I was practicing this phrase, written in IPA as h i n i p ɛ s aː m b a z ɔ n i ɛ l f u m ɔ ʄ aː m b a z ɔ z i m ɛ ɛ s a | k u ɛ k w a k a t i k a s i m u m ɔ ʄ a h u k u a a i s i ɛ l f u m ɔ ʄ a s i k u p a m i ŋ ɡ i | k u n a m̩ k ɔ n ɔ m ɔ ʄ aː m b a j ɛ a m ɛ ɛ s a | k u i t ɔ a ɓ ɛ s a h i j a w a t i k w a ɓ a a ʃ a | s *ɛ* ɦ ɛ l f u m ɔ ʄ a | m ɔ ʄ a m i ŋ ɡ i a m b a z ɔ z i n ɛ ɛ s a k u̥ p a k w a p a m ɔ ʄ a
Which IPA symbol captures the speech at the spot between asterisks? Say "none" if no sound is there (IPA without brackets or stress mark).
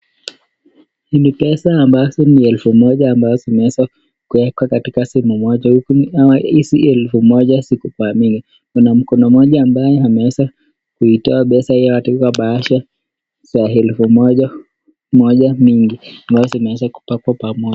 a